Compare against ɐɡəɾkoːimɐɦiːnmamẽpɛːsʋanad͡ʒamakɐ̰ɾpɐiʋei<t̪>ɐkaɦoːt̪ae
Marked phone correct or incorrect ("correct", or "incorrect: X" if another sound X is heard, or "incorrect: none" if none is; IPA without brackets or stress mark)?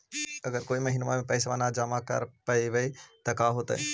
correct